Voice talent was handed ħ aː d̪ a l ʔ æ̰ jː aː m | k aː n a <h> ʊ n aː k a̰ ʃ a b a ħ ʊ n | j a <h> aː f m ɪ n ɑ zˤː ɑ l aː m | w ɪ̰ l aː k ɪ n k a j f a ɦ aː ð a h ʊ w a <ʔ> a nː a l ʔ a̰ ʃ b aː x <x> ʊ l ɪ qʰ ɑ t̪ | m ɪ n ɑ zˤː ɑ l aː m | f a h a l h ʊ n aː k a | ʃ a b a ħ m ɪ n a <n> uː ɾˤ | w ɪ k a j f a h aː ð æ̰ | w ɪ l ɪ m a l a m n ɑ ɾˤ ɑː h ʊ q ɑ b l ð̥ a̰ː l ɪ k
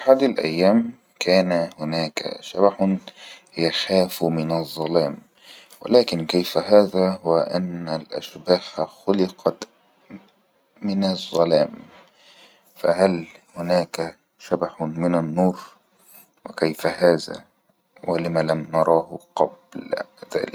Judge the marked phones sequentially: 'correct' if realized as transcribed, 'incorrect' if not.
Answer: correct, incorrect: x, correct, correct, incorrect: nː

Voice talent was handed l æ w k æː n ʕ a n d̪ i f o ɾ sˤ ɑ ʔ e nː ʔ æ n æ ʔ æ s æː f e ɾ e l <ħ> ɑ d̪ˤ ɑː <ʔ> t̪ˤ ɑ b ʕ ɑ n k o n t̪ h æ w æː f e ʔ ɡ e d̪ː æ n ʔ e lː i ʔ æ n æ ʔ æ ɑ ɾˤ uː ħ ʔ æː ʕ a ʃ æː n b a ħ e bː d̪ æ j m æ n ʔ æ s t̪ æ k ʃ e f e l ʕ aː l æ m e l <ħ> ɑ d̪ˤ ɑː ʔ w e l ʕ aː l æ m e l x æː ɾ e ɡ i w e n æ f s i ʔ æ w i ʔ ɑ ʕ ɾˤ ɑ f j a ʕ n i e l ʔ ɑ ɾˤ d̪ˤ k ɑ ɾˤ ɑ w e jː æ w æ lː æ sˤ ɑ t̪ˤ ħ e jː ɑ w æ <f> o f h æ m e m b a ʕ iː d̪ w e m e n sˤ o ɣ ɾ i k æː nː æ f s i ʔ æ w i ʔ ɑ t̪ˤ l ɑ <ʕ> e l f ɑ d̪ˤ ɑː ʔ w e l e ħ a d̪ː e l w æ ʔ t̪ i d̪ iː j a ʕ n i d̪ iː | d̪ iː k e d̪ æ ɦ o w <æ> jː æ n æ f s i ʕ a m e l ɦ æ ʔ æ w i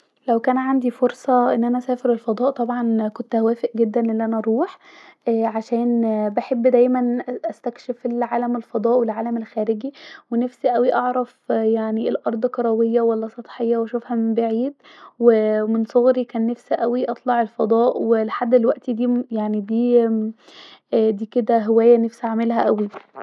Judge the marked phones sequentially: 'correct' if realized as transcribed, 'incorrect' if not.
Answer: incorrect: f, correct, incorrect: f, incorrect: ʃ, correct, incorrect: æː

